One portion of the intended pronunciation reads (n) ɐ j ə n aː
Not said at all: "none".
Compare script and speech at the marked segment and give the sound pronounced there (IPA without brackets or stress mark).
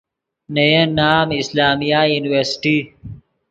n